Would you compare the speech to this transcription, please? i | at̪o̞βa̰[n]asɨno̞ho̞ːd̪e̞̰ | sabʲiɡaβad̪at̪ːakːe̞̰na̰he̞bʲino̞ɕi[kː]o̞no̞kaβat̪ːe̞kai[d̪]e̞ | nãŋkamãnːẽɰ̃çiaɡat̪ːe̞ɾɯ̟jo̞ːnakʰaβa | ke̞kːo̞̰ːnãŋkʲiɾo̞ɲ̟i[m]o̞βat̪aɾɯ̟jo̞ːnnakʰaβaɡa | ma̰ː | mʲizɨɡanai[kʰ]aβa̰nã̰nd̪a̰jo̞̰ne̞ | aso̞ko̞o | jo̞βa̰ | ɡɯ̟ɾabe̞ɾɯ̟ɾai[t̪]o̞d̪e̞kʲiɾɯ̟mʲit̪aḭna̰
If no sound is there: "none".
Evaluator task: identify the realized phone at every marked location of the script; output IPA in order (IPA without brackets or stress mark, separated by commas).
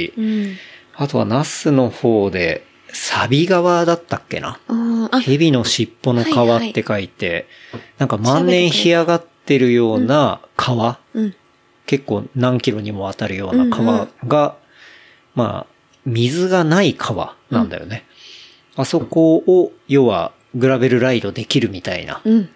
n, pː, t̪, m, kʰ, d̪